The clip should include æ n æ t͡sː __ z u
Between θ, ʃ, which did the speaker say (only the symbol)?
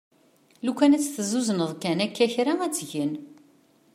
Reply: θ